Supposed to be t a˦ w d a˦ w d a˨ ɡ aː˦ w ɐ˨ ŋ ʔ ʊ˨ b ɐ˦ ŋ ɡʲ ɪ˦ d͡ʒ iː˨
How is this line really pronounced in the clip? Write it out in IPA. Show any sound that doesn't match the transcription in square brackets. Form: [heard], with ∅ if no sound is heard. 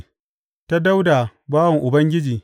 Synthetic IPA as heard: t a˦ [∅] d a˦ w d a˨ [b] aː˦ w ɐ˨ ŋ ʔ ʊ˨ b ɐ˦ ŋ ɡʲ ɪ˦ d͡ʒ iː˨